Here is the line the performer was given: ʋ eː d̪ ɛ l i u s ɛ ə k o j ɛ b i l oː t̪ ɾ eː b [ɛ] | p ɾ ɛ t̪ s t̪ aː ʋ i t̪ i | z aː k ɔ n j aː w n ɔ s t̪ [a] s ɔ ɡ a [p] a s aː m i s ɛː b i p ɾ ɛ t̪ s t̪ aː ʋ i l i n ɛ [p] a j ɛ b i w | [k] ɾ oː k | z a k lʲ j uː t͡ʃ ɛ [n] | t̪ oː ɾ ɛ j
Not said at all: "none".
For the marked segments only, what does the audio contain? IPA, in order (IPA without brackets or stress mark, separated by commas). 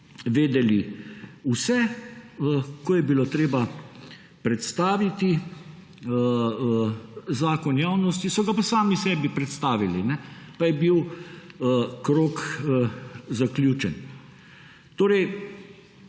a, i, p, p, k, n